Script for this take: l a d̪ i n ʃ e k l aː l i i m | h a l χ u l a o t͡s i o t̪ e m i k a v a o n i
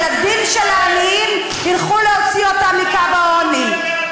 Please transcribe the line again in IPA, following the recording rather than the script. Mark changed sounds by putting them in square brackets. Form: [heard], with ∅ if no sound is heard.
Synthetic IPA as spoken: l a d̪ i n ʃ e [∅] l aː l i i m | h [i] l χ u l [e] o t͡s i o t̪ [a] m i k a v a o n i